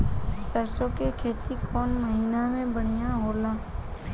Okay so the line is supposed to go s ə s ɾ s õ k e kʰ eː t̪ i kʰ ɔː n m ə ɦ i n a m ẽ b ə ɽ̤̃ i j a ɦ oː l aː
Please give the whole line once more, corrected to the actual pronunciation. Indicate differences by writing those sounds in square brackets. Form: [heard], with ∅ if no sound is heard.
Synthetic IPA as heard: s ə [∅] ɾ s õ k e kʰ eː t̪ i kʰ ɔː n m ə ɦ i n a m ẽ b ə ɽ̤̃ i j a ɦ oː l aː